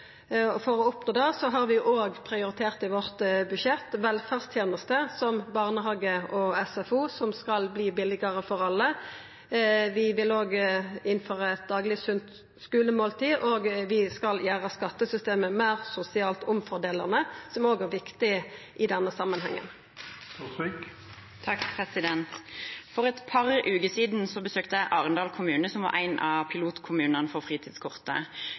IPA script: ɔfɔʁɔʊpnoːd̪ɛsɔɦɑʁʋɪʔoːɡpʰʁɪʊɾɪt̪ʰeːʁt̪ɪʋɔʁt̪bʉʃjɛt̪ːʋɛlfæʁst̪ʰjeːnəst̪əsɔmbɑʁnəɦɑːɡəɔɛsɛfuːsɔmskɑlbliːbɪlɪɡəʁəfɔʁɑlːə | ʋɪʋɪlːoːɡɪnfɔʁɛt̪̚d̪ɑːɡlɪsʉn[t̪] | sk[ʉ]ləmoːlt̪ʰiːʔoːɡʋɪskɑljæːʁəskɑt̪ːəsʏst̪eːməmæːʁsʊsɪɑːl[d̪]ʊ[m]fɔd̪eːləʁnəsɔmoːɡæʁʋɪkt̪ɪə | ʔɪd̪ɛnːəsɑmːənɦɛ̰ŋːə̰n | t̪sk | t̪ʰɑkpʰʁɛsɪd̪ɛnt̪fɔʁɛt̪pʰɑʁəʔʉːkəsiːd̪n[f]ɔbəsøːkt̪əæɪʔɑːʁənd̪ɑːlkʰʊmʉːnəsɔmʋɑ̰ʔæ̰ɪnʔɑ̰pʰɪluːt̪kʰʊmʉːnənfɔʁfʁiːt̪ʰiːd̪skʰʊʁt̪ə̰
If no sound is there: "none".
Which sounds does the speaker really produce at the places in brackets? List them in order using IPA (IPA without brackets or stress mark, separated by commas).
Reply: t̪, ʉː, t̪, m, s